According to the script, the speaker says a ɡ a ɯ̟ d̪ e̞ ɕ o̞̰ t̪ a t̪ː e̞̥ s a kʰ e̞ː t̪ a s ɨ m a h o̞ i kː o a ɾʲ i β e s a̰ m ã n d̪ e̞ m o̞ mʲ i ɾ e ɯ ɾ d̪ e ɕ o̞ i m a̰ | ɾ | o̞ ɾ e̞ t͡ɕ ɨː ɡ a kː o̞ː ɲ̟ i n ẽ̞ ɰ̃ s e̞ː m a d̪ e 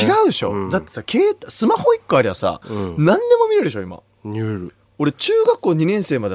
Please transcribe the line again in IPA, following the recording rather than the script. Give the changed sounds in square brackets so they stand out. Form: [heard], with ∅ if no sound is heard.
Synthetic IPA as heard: [i] ɡ a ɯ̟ d̪ e̞ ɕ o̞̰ [d̪] a t̪ː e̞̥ s a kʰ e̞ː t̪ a s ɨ m a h o̞ i kː o a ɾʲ i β [a] s a̰ [n] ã n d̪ e̞ m o̞ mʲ i ɾ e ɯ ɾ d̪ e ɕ o̞ i m a̰ | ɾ | o̞ ɾ e̞ t͡ɕ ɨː ɡ a kː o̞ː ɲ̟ i n ẽ̞ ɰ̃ s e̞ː m a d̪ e